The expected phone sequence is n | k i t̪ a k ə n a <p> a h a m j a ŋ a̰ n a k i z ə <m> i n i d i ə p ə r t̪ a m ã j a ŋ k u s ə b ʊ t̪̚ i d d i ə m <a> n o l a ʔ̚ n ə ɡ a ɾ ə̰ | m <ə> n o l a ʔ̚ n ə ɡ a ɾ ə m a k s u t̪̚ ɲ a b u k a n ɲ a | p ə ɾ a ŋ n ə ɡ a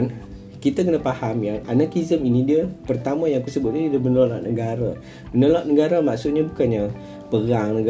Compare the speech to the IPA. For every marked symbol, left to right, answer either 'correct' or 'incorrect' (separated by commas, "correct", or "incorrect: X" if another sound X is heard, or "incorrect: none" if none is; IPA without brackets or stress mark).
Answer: correct, correct, incorrect: ə, correct